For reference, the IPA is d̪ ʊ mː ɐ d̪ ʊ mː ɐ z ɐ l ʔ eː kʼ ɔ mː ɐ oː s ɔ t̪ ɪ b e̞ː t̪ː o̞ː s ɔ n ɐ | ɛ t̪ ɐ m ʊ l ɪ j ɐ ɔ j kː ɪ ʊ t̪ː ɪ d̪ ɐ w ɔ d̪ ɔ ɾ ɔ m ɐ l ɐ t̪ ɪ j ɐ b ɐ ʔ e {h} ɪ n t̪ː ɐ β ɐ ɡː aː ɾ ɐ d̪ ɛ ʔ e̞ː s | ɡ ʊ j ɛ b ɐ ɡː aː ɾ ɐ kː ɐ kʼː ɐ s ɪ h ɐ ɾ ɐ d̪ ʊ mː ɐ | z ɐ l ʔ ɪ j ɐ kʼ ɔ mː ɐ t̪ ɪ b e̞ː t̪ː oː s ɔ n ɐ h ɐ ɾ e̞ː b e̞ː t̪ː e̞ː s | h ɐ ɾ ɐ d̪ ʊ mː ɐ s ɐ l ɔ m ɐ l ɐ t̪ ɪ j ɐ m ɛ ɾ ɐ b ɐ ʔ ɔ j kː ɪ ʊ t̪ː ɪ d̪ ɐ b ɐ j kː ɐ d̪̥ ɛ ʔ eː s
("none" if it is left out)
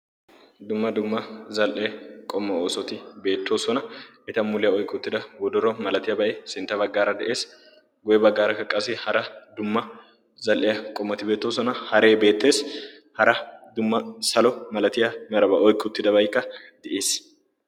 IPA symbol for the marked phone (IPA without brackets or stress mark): s